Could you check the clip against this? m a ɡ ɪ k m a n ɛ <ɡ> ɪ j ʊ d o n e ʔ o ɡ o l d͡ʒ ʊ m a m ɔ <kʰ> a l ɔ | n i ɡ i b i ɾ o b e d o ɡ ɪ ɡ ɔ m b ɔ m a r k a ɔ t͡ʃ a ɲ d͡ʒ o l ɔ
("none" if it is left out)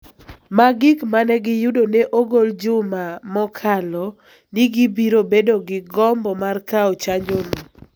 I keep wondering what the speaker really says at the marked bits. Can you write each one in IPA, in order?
ɡ, kʰ

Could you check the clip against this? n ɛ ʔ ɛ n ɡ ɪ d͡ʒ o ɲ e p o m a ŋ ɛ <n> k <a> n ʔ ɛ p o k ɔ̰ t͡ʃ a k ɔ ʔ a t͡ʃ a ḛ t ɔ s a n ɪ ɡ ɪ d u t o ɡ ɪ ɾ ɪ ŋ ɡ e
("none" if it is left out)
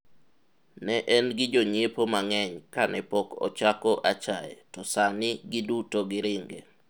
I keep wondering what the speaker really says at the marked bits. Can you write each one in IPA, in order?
ɲ, a

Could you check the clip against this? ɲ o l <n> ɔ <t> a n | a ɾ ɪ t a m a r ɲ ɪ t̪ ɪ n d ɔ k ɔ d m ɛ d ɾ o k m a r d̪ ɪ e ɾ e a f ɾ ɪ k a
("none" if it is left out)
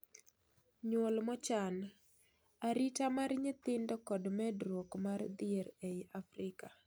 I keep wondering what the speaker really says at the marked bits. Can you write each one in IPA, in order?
m, t͡ʃ

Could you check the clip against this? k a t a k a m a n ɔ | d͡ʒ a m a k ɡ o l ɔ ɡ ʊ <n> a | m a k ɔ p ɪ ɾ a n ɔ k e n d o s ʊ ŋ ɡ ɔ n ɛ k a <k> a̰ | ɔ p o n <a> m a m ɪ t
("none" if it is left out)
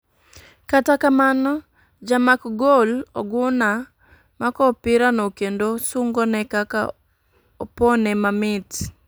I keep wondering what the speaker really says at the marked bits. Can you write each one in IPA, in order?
n, k, ɛ

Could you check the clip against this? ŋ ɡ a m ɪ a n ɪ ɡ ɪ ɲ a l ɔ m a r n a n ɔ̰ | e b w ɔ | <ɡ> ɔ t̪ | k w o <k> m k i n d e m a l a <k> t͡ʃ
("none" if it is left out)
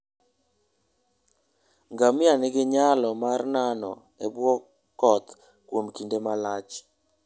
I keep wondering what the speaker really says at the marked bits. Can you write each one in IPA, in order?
k, none, none

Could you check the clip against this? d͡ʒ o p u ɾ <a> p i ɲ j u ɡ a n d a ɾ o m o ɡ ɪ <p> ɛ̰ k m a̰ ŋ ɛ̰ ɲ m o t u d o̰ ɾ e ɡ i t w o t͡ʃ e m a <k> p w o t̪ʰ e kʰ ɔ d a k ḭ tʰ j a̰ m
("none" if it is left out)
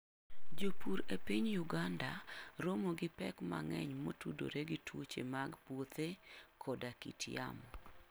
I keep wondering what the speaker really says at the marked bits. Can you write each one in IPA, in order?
e, p, ɡ

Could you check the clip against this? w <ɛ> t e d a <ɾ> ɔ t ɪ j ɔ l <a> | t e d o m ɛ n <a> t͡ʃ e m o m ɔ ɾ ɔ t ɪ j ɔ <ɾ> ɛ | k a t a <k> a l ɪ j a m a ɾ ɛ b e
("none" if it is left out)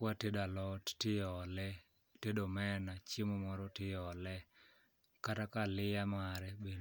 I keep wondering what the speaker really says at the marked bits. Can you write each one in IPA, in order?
a, l, ɛ, a, l, k

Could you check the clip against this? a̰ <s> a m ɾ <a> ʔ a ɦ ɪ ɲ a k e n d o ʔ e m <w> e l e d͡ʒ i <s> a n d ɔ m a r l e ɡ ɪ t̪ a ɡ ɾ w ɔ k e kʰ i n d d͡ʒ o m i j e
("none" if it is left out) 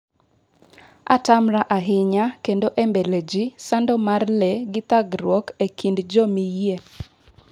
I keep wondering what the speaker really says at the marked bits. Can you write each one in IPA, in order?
t, a, b, s

